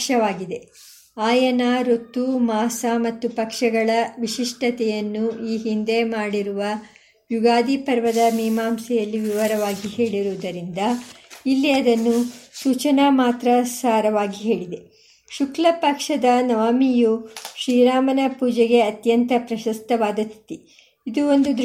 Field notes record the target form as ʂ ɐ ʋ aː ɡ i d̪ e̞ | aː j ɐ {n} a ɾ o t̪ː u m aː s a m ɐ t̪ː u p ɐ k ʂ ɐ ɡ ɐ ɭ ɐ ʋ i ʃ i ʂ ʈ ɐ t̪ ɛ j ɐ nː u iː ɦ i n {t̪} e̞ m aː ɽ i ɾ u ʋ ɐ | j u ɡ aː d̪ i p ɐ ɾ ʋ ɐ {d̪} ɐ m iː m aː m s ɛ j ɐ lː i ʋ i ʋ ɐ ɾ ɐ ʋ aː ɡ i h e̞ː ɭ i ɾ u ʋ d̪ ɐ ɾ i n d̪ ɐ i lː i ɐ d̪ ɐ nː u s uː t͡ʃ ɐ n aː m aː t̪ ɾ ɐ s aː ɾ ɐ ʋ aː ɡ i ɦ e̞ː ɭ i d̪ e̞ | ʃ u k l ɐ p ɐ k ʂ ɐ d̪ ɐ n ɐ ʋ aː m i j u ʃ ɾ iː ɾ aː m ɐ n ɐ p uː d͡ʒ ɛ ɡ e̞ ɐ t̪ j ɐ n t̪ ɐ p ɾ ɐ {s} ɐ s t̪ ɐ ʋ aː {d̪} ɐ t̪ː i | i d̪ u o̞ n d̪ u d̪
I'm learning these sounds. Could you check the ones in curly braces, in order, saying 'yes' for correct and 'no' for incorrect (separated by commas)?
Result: yes, no, yes, no, yes